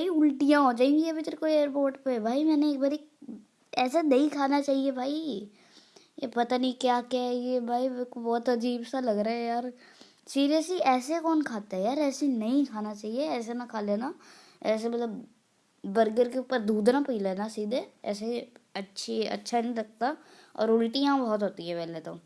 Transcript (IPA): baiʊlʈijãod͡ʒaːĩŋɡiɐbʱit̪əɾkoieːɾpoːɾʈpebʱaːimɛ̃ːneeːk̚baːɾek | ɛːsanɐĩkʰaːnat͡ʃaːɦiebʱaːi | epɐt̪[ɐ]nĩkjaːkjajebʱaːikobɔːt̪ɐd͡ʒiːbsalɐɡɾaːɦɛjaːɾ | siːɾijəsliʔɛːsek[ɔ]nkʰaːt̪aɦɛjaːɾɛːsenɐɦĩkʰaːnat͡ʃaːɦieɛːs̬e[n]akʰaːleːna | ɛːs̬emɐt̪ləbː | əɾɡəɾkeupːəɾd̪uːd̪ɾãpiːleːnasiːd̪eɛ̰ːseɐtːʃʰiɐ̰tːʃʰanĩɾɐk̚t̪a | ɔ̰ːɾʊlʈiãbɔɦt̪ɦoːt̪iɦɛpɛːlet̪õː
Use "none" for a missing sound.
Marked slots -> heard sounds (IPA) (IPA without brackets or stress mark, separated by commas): a, ɔː, n